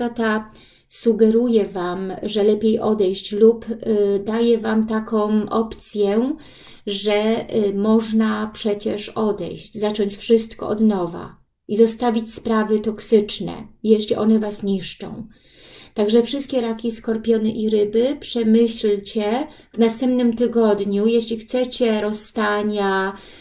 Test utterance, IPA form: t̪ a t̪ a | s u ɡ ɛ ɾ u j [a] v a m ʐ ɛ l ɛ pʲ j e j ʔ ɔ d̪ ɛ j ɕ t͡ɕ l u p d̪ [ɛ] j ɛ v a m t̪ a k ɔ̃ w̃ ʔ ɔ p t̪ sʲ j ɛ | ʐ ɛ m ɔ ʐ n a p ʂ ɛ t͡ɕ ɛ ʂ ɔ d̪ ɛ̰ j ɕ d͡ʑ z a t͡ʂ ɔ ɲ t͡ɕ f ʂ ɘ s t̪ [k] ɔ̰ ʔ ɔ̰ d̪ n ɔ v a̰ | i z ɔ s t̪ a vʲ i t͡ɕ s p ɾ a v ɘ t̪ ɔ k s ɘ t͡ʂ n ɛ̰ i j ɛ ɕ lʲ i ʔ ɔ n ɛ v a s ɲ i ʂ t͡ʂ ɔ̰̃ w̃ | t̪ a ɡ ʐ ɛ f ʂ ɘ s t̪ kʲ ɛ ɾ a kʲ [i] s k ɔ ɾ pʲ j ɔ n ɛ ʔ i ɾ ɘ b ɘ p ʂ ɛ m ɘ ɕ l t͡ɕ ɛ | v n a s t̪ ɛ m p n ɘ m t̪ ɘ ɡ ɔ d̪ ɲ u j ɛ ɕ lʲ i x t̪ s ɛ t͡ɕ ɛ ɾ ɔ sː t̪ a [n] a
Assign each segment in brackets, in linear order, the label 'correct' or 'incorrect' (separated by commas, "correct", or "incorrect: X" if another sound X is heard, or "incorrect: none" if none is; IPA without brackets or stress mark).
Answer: incorrect: ɛ, incorrect: a, correct, correct, incorrect: ɲ